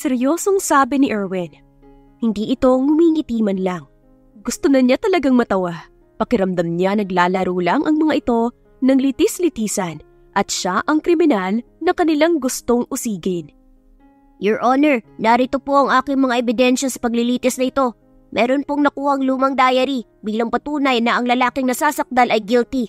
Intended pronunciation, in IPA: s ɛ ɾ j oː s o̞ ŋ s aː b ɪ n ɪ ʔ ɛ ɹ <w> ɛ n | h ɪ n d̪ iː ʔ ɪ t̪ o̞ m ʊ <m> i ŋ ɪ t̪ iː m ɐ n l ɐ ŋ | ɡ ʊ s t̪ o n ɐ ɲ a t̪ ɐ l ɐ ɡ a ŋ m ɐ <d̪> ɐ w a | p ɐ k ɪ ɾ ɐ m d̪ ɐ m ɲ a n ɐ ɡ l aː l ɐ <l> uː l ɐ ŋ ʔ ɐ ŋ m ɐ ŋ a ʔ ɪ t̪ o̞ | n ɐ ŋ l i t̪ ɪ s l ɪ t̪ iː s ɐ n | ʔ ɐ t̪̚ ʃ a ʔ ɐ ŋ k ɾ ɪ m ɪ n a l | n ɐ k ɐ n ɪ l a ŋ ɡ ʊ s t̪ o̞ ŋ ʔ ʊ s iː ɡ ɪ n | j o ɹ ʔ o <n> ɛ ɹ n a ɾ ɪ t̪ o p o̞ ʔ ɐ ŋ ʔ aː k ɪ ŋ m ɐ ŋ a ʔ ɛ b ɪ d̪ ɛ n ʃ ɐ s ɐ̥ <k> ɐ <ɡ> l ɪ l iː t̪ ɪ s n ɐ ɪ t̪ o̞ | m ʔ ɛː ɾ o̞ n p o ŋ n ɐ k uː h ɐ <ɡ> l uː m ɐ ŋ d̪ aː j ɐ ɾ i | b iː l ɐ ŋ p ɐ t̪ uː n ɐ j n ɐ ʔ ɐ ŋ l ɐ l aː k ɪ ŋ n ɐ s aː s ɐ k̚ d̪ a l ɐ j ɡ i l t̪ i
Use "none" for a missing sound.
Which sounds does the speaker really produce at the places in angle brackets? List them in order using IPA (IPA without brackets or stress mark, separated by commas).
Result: w, m, t̪, ɾ, n, p, ɡ, ŋ